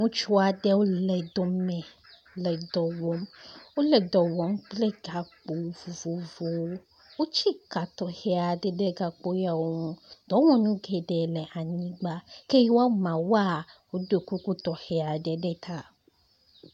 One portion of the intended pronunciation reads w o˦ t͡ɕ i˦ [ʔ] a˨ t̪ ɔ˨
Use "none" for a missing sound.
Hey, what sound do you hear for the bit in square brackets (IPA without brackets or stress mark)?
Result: k